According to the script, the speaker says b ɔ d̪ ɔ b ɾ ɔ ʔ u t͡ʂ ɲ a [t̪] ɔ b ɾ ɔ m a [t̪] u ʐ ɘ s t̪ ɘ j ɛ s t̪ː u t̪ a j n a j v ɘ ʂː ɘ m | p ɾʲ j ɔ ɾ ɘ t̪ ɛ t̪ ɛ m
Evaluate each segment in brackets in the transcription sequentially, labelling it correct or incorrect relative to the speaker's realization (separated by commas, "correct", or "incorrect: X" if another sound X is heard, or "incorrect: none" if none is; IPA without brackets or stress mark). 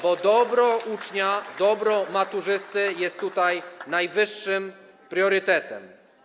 incorrect: d̪, correct